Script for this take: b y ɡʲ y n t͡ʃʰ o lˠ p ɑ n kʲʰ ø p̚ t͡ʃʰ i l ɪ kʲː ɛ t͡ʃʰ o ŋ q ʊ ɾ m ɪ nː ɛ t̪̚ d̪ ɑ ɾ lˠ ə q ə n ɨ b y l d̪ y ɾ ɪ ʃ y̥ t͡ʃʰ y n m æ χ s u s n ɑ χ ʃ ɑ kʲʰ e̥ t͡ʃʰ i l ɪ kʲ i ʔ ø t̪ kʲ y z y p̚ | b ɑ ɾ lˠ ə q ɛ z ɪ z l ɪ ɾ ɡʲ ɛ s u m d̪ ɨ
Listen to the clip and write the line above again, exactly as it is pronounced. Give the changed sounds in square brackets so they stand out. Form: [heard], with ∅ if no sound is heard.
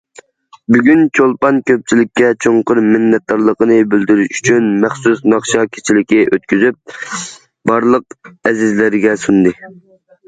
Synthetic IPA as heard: b y ɡʲ y n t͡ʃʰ o lˠ p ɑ n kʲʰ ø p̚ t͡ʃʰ i l ɪ kʲː ɛ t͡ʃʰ o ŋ q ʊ ɾ m ɪ nː ɛ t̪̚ d̪ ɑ ɾ lˠ ə q ə n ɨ b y l d̪ y ɾ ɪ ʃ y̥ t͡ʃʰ y n m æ χ s u s n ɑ χ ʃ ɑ kʲʰ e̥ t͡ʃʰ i l ɪ kʲ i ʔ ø t̪ kʲ y z y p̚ | b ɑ ɾ lˠ ə q ɛ z ɪ z l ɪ ɾ ɡʲ ɛ s u [n] d̪ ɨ